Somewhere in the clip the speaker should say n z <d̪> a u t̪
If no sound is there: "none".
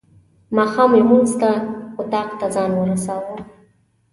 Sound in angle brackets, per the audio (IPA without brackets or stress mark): t̪